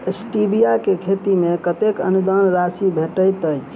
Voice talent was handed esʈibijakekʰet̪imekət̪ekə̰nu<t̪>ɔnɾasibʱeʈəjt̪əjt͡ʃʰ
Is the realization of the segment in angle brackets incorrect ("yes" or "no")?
yes